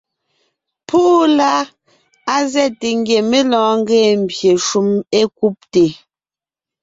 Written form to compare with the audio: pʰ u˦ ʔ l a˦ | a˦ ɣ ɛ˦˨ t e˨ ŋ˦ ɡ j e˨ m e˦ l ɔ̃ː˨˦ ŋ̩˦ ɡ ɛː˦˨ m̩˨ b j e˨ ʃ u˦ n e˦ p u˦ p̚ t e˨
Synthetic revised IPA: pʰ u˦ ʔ l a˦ | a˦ z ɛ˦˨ t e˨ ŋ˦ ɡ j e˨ m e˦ l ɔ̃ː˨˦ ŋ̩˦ ɡ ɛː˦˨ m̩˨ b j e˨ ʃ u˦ m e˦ k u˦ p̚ t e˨